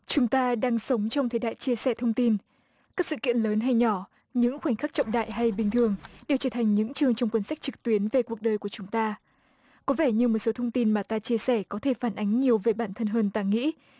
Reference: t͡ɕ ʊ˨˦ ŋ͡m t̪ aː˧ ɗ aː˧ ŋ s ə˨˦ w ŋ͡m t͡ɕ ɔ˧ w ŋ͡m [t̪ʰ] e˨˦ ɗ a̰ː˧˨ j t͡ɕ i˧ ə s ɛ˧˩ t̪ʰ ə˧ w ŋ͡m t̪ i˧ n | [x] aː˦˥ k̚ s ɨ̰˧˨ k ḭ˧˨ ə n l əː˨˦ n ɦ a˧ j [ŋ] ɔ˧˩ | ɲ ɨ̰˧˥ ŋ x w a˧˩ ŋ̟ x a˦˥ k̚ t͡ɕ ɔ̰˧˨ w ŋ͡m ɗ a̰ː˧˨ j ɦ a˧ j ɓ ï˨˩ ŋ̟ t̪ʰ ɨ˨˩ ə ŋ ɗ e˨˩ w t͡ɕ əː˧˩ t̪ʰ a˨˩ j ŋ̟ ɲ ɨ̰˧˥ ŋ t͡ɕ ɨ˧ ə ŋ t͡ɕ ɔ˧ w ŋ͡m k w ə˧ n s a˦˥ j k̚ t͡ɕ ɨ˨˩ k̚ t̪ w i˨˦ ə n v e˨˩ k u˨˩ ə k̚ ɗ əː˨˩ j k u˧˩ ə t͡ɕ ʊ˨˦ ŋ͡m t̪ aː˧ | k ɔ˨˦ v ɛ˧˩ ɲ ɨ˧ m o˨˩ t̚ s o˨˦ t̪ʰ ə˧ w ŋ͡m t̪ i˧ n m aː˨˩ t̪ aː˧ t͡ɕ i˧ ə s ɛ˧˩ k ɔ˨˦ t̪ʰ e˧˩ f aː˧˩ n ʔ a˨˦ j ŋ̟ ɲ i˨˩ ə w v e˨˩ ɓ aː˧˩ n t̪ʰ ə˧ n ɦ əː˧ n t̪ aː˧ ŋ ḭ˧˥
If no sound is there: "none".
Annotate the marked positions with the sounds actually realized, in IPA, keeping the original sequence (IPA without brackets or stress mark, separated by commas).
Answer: t̪ʰ, k, ɲ